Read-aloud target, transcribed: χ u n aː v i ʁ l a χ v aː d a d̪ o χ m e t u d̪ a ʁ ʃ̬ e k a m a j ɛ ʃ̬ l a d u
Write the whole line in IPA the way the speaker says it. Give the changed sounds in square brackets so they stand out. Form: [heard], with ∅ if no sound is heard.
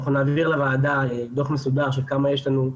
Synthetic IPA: χ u n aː v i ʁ l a [∅] v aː d a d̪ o χ m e [s] u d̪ a ʁ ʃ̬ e k a m a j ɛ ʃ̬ l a [n] u